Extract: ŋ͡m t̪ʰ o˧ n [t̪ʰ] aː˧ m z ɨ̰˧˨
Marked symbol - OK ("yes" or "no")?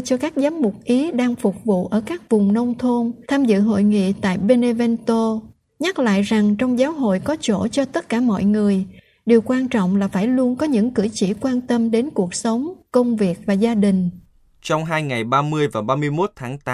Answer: yes